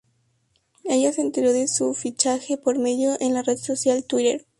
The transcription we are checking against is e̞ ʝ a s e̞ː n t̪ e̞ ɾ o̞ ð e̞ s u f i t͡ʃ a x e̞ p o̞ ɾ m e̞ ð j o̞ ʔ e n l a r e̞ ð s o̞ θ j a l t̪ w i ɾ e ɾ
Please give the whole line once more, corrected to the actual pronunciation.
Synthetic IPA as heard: e̞ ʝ a s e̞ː n t̪ e̞ ɾ o̞ ð e̞ s u f i t͡ʃ a x e̞ p o̞ ɾ m e̞ ð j o̞ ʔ e n l a r e̞ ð s o̞ s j a l t̪ w i ɾ e ɾ